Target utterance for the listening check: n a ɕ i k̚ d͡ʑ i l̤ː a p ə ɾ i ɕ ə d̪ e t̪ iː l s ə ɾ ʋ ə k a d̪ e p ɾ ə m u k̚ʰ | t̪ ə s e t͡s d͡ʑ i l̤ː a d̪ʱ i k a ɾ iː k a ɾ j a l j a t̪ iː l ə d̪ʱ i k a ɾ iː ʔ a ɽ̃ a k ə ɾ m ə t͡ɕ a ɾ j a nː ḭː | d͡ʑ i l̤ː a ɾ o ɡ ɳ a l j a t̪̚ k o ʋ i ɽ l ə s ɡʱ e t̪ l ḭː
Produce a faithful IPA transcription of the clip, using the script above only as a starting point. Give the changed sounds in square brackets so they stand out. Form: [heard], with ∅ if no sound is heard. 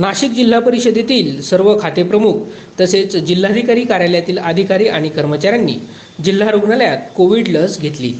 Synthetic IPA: n a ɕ i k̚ d͡ʑ i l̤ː a p ə ɾ i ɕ ə d̪ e t̪ iː l s ə ɾ ʋ ə [kʰ] a [t̪] e p ɾ ə m u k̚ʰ | t̪ ə s e t͡s d͡ʑ i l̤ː a d̪ʱ i k a ɾ iː k a ɾ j a l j a t̪ iː l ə d̪ʱ i k a ɾ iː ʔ a ɽ̃ [i] k ə ɾ m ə t͡ɕ a ɾ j a nː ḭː | d͡ʑ i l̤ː a ɾ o ɡ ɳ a l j a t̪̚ k o ʋ i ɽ l ə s ɡʱ e t̪ l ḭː